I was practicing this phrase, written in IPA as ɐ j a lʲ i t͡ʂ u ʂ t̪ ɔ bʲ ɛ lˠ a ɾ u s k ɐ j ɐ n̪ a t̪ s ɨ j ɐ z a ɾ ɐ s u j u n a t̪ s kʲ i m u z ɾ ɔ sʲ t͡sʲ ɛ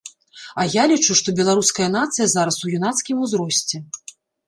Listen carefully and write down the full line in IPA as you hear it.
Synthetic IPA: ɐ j a lʲ i t͡ʂ u ʂ t̪ ɔ bʲ ɛ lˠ a ɾ u s k ɐ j ɐ n̪ a t̪ s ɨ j ɐ z a ɾ ɐ s u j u n a t̪ s kʲ i m u z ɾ ɔ sʲ t͡sʲ ɛ